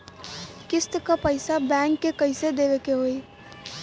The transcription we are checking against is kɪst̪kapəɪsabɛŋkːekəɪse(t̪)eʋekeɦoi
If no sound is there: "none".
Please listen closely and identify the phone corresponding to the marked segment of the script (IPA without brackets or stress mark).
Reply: d̪